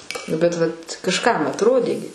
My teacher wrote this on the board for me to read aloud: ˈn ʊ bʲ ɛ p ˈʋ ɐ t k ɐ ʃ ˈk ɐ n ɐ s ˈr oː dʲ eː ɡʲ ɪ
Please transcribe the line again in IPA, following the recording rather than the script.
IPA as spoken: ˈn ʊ bʲ ɛ t ˈʋ ɐ t k ɐ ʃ ˈk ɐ m ɐ t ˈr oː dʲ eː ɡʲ ɪ